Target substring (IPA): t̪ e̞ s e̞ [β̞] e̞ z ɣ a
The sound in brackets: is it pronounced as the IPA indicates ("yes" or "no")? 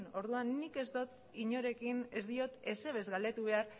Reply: yes